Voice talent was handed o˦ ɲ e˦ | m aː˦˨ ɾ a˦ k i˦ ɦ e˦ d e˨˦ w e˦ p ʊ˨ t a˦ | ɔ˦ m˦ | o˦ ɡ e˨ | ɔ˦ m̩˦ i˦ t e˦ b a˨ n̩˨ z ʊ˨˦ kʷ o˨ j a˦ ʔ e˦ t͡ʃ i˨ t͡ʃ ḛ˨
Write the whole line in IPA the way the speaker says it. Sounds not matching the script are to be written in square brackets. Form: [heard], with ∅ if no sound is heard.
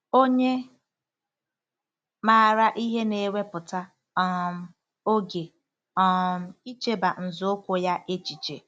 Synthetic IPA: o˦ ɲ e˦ | m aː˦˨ ɾ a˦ [ʔ] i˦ ɦ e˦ [n] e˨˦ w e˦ p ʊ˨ t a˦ | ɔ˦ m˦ | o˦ ɡ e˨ | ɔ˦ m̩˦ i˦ [t͡ʃ] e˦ b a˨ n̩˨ z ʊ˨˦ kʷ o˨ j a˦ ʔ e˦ t͡ʃ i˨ t͡ʃ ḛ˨